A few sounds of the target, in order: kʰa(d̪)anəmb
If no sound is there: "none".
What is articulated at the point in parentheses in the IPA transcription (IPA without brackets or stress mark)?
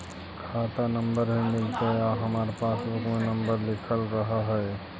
t̪